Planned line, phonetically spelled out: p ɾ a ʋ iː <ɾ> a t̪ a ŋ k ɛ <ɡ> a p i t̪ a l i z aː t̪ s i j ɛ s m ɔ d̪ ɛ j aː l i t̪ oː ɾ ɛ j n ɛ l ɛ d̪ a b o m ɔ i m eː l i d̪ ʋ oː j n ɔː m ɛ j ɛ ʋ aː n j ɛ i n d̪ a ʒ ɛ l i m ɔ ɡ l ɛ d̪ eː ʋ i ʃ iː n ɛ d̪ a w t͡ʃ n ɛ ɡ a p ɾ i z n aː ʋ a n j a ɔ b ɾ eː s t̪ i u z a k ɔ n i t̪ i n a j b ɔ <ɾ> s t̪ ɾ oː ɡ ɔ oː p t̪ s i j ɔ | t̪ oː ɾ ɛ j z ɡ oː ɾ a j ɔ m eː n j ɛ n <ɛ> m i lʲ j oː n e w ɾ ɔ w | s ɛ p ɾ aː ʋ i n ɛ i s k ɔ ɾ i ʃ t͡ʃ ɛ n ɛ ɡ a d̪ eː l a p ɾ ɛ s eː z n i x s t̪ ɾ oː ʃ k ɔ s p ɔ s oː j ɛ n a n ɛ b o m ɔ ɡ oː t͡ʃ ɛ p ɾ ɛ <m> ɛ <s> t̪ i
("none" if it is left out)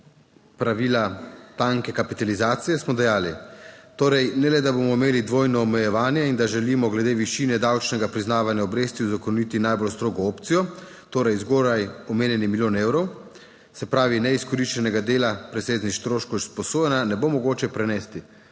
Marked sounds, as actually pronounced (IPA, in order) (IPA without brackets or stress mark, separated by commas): l, k, l, i, n, s